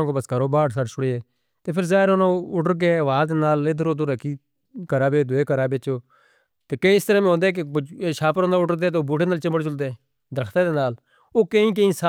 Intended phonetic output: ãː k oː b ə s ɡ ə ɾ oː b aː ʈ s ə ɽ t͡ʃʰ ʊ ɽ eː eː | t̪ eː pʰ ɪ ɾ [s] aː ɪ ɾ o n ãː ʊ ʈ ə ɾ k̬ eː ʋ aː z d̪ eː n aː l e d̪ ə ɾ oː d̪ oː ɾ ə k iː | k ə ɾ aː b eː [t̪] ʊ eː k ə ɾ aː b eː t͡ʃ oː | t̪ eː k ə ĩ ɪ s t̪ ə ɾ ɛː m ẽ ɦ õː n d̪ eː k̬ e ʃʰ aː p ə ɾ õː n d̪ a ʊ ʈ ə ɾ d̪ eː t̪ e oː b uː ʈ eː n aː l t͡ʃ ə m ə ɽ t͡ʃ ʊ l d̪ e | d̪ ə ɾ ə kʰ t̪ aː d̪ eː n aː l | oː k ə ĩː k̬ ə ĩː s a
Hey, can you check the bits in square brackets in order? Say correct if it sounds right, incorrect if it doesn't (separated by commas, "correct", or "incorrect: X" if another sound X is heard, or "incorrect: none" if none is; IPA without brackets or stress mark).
incorrect: z, incorrect: d̪